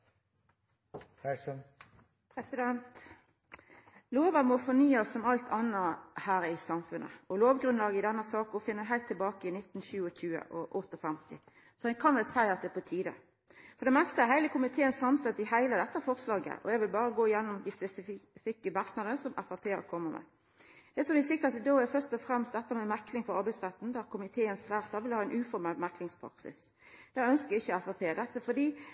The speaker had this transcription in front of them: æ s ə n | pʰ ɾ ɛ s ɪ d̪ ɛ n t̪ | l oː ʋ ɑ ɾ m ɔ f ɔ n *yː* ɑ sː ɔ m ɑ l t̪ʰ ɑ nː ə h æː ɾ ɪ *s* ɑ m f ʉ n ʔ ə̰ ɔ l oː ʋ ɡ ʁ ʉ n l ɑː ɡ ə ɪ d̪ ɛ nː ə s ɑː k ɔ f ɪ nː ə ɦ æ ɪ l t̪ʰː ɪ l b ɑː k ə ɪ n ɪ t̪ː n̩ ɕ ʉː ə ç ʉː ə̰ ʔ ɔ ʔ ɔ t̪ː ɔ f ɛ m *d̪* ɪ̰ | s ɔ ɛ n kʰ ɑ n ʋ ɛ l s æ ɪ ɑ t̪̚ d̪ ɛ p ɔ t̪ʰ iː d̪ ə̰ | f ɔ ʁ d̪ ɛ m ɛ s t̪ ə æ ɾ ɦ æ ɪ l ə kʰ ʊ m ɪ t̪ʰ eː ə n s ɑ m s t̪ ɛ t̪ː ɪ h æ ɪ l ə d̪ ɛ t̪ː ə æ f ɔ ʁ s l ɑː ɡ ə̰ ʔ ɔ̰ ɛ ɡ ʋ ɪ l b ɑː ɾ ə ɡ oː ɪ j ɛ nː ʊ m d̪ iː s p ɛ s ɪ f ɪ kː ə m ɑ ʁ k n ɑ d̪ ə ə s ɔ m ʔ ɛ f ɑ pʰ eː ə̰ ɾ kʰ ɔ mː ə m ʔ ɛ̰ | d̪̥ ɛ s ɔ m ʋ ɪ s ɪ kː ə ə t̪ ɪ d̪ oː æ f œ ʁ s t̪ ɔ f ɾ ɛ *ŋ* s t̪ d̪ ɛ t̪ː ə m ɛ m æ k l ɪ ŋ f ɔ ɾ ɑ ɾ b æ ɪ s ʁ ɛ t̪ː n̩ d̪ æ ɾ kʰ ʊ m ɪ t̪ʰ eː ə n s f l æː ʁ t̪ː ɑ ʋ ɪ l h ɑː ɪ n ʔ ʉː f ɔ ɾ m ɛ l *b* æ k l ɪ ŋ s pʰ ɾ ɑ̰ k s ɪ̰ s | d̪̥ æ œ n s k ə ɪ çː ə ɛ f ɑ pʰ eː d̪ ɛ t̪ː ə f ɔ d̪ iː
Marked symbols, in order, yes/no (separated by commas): yes, yes, no, no, no